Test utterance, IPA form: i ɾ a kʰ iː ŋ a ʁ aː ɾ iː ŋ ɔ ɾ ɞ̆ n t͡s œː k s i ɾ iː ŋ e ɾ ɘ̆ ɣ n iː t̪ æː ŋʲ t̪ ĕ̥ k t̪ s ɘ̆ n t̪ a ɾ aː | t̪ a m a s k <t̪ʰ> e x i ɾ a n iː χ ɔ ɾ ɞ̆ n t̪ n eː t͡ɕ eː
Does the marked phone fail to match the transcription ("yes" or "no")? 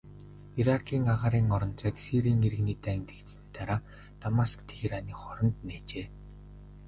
no